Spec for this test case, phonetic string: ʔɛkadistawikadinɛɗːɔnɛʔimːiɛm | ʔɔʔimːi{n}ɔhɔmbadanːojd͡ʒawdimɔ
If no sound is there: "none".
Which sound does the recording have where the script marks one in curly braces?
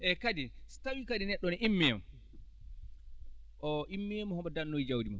m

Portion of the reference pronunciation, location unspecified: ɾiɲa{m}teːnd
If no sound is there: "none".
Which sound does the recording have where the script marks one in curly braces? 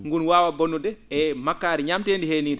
m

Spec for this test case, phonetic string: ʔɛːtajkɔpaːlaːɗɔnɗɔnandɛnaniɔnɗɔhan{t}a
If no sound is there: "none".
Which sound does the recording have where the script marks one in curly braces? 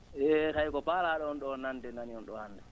d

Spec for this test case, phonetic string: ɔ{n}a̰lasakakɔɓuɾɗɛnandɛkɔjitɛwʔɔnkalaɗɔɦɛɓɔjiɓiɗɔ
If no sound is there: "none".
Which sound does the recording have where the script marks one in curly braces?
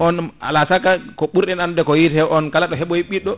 n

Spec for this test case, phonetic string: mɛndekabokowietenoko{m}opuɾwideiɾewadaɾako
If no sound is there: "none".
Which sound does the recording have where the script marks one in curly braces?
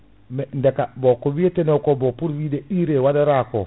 b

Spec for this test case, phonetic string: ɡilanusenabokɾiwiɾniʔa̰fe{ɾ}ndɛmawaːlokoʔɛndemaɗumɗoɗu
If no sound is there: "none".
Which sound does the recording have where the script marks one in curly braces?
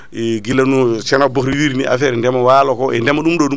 ɾ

